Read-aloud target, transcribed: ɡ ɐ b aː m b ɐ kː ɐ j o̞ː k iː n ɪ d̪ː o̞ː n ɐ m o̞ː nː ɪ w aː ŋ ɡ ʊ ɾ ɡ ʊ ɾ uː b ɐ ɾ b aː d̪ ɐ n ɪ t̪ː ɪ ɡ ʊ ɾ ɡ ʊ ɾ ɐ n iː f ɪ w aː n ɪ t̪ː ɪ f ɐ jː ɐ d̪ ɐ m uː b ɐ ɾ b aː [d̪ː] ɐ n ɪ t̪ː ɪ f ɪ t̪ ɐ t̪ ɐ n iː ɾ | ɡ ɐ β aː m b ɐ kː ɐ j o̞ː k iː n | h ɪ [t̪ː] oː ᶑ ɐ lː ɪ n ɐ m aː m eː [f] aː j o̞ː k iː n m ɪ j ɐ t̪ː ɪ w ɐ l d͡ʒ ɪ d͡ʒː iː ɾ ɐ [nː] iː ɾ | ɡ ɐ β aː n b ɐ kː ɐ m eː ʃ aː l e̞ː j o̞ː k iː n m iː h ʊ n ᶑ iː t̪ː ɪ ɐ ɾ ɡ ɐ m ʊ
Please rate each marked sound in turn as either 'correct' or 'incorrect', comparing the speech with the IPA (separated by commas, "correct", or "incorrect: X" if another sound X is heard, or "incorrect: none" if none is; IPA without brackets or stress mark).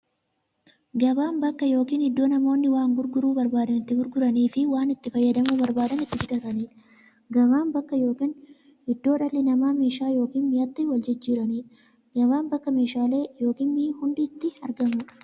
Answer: incorrect: d̪, incorrect: d̪ː, incorrect: ʃ, incorrect: n